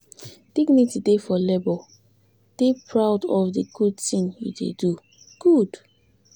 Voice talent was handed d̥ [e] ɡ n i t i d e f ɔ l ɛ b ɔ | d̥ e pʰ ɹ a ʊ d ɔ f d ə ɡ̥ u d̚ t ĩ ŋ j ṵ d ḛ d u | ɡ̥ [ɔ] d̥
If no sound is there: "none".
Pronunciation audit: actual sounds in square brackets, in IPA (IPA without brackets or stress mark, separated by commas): i, u